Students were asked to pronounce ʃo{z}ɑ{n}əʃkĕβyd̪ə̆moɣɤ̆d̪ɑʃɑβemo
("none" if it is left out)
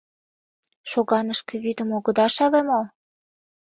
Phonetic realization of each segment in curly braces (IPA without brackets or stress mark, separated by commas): ɣ, n